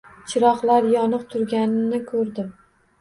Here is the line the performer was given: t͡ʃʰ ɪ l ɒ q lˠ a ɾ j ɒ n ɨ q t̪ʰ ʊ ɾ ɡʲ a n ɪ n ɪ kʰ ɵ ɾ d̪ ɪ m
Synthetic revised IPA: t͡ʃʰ ɪ ɾ ɒ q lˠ a ɾ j ɒ n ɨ q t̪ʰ ʊ ɾ ɡʲ a n ɪ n ɪ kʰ ɵ ɾ d̪ ɪ m